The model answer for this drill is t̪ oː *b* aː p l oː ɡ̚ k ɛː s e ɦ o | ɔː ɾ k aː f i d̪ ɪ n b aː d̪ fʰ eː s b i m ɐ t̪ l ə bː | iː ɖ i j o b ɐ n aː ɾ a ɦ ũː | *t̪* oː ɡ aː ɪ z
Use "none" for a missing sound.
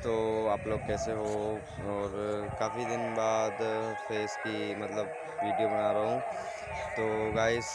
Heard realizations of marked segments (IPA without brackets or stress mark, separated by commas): none, t̪